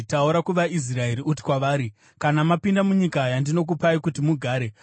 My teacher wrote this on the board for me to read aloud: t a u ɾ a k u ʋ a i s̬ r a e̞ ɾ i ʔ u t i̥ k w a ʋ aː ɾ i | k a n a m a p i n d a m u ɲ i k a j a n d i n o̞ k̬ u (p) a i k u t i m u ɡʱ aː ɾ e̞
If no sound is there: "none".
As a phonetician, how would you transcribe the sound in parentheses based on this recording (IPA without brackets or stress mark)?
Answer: p